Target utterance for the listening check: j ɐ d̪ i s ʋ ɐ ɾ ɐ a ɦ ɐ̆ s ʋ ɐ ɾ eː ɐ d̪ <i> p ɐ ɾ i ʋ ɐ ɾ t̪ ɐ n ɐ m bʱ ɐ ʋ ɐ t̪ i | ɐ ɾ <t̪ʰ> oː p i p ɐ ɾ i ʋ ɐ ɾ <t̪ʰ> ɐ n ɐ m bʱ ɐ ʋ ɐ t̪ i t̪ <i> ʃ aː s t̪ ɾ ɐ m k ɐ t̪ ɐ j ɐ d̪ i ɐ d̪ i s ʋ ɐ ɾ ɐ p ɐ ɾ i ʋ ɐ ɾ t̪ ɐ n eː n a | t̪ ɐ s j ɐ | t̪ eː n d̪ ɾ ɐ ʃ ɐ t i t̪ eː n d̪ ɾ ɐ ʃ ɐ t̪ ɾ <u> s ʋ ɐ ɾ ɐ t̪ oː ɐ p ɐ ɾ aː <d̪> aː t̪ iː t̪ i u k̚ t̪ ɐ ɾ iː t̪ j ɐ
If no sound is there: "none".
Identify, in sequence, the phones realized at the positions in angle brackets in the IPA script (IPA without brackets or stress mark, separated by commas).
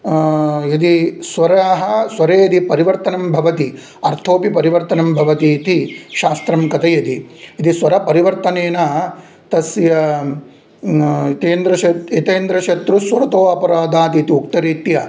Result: i, t̪ʰ, t̪, i, u, d̪